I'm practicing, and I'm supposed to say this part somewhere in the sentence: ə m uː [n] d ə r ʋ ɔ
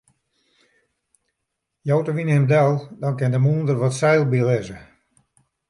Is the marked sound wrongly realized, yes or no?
no